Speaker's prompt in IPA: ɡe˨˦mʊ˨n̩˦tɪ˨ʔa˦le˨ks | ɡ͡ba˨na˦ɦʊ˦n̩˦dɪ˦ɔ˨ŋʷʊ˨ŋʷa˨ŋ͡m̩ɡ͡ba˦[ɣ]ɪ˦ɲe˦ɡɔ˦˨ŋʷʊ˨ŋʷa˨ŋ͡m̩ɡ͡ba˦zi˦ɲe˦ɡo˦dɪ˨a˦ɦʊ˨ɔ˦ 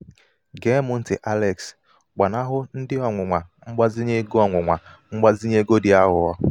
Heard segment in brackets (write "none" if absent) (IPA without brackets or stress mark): z